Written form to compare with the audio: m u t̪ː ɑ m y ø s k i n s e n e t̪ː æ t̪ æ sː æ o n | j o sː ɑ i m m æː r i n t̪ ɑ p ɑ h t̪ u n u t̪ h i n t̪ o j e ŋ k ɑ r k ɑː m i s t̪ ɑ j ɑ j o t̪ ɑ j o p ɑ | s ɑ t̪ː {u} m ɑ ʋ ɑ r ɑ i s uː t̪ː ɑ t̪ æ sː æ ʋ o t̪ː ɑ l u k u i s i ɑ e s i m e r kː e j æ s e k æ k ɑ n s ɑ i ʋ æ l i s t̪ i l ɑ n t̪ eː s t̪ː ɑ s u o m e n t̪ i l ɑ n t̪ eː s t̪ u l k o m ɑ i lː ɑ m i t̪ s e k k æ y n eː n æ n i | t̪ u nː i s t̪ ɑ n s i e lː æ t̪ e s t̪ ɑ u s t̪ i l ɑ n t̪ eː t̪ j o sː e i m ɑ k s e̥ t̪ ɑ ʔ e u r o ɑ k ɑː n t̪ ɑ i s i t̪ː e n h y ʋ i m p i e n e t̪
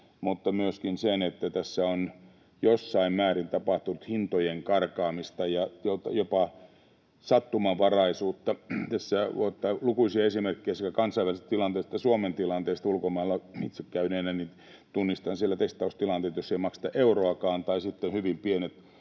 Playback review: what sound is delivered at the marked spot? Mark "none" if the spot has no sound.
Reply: u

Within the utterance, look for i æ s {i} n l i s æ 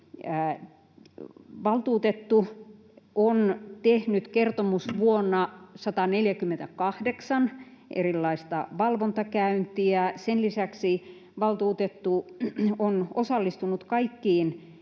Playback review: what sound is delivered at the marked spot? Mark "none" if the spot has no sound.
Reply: e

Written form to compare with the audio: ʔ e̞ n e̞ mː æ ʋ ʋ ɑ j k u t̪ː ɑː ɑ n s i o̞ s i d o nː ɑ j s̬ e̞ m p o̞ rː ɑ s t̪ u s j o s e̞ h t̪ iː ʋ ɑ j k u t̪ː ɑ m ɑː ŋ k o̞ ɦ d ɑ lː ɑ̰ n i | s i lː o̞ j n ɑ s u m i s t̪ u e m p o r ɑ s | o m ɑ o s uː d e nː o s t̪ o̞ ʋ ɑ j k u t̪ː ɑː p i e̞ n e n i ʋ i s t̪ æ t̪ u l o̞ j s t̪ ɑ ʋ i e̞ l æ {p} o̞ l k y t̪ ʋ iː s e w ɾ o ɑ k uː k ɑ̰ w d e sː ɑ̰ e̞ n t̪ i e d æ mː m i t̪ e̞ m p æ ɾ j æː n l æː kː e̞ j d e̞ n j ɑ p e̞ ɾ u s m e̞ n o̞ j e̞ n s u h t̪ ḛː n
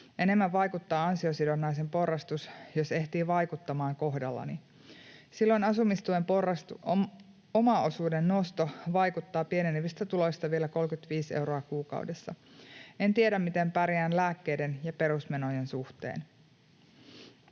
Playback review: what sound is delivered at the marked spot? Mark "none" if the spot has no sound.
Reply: k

